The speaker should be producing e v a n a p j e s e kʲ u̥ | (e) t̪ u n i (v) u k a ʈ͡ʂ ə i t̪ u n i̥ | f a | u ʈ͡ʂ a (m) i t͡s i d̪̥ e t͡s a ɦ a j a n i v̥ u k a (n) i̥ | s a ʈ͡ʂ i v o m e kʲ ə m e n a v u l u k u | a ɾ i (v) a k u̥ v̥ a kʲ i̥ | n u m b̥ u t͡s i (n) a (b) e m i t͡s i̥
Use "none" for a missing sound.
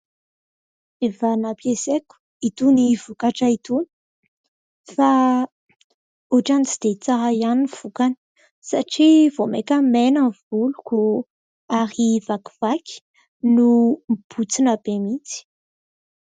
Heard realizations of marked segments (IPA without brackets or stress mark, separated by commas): i, v, n, n, v, n, b